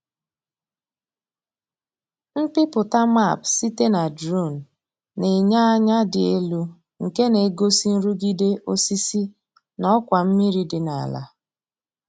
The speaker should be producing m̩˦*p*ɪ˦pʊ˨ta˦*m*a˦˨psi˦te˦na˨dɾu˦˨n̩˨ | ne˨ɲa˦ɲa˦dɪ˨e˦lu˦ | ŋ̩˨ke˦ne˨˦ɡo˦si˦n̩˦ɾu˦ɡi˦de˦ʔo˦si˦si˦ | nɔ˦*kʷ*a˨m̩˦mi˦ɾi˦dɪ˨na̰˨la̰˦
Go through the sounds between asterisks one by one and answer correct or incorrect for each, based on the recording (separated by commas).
correct, correct, correct